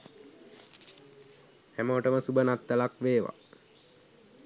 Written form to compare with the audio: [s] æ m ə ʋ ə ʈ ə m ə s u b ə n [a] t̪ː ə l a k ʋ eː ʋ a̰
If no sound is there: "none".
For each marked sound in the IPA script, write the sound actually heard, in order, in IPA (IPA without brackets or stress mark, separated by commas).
h, a